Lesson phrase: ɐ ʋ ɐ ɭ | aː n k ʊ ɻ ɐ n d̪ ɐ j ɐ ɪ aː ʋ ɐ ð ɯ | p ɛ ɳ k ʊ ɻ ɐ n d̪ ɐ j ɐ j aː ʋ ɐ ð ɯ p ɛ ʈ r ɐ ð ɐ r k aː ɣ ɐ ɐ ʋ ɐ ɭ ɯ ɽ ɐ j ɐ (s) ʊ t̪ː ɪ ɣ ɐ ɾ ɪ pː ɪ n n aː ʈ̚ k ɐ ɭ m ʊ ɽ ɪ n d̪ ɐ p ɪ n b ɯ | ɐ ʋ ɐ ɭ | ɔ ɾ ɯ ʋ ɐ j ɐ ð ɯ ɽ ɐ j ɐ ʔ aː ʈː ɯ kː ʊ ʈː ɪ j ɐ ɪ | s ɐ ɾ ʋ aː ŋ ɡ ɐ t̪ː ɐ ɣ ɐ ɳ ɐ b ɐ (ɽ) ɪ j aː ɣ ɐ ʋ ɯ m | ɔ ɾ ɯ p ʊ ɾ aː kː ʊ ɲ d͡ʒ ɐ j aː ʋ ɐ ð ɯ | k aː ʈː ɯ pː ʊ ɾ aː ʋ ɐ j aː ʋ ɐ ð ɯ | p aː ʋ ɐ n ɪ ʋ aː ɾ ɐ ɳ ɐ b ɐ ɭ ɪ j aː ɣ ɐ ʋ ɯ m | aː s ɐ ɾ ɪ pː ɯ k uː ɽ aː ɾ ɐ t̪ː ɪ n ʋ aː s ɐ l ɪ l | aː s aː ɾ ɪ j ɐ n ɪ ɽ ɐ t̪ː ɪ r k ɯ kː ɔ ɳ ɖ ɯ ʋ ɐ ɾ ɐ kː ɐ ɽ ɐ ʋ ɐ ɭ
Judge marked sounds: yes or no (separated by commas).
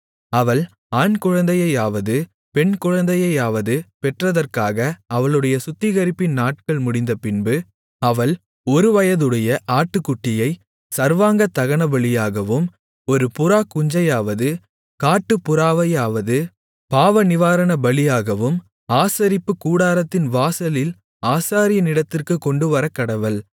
yes, no